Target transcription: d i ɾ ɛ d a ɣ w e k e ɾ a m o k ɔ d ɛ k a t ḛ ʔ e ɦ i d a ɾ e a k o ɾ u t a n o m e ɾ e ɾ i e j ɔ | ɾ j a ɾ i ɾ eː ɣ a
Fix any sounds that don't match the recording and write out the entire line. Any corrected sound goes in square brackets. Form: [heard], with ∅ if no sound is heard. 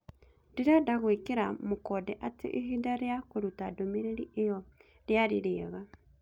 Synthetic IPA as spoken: d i ɾ [a] d a ɣ w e k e ɾ a m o k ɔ d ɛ [ʔ] a t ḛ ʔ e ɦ i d a ɾ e a k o ɾ u t a [d] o m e ɾ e ɾ i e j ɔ | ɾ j a ɾ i ɾ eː ɣ a